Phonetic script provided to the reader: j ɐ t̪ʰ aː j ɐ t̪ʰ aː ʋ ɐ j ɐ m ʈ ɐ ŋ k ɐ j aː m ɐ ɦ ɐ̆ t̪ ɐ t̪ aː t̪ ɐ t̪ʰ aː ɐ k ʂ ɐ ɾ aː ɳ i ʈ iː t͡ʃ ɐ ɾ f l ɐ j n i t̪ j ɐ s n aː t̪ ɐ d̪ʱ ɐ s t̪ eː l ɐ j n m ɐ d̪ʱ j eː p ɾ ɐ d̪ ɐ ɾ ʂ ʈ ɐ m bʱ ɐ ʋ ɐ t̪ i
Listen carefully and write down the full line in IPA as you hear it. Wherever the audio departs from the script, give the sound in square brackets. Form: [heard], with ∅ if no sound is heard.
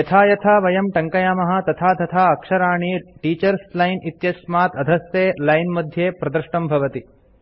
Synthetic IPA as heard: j ɐ t̪ʰ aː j ɐ t̪ʰ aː ʋ ɐ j ɐ m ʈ ɐ ŋ k ɐ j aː m ɐ ɦ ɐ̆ t̪ ɐ [t̪ʰ] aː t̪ ɐ t̪ʰ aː ɐ k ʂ ɐ ɾ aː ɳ i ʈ iː t͡ʃ ɐ ɾ [s] l ɐ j n i t̪ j ɐ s [m] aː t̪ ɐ d̪ʱ ɐ s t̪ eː l ɐ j n m ɐ d̪ʱ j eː p ɾ ɐ d̪ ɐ ɾ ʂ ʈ ɐ m bʱ ɐ ʋ ɐ t̪ i